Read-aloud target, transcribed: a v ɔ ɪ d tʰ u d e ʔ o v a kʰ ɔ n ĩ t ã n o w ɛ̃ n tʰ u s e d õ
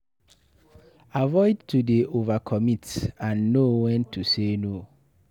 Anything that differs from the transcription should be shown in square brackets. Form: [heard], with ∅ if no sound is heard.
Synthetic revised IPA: a v ɔ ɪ d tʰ u d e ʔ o v a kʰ ɔ [m] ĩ t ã [nː] o w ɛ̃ n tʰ u s e [n] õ